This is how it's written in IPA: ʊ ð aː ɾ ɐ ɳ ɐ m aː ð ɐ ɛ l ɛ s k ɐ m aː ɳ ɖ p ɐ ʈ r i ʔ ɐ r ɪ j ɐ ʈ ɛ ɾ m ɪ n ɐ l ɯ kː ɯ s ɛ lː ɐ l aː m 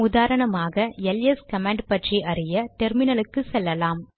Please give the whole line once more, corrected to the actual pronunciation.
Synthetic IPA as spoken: ʊ ð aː ɾ ɐ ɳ ɐ m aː ɣ ɐ ɛ l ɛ s k ɐ m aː ɳ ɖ p ɐ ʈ r i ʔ ɐ r ɪ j ɐ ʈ ɛ ɾ m ɪ n ɐ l ɯ kː ɯ s ɛ lː ɐ l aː m